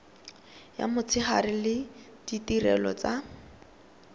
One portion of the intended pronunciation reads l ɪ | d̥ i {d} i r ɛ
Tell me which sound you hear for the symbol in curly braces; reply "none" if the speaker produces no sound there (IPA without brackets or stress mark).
t